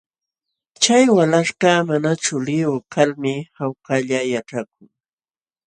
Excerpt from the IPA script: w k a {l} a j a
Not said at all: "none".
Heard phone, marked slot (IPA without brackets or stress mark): ʎ